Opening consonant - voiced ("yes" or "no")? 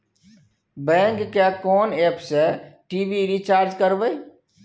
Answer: yes